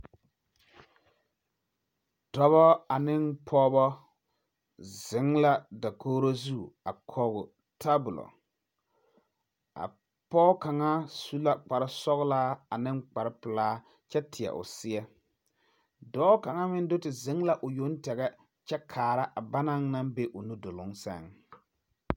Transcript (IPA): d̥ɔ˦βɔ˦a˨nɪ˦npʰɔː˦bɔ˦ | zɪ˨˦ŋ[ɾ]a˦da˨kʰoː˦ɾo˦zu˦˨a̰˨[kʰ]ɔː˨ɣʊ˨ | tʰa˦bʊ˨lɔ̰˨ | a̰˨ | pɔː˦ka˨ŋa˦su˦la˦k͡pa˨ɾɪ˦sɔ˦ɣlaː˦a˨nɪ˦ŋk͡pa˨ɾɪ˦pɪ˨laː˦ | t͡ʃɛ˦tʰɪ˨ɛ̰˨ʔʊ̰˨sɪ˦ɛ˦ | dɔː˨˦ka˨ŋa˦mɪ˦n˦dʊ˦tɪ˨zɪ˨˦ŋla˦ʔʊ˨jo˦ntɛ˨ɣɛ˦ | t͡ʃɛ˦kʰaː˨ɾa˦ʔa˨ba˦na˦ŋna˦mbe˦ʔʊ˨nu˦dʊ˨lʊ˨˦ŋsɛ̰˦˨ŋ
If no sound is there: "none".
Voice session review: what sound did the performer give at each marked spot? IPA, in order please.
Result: l, kʰ

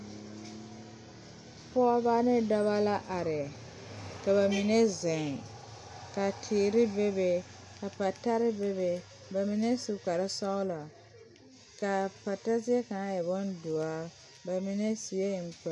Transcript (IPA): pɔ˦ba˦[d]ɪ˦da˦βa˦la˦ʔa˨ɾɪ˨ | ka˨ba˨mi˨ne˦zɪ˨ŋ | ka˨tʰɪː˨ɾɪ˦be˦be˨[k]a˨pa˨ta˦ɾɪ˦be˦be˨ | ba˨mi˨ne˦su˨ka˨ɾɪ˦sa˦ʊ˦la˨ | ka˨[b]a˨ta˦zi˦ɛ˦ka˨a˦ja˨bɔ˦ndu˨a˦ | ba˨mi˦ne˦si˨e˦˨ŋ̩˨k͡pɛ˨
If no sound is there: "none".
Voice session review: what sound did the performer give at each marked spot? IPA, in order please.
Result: n, k, p

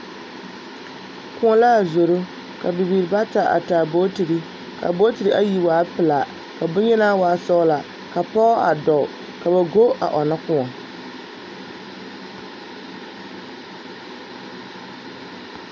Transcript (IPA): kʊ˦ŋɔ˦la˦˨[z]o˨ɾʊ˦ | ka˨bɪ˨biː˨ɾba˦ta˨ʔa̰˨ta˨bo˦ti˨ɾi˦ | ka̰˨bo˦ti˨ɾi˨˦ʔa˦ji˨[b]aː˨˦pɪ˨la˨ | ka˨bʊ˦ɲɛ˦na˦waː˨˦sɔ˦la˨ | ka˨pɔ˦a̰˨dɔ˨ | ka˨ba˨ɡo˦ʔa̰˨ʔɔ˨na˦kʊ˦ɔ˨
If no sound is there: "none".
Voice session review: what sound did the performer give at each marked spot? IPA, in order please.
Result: z, w

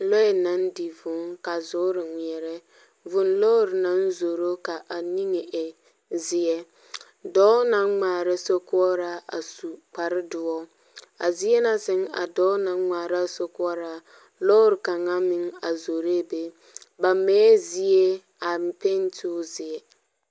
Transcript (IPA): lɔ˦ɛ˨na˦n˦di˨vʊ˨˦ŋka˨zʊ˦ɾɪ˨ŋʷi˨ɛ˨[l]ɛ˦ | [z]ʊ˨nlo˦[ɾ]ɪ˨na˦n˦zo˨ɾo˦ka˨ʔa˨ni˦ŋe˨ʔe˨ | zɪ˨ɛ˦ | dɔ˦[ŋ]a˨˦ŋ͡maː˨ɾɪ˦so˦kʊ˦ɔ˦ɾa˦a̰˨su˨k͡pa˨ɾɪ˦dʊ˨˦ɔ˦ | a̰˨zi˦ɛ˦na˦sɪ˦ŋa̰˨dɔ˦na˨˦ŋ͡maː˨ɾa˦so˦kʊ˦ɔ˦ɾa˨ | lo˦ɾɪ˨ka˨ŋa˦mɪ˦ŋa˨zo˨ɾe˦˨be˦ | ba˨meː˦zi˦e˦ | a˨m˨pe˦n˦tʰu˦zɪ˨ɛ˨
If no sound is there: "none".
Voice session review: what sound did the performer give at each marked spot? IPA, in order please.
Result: ɾ, v, ɾ, n

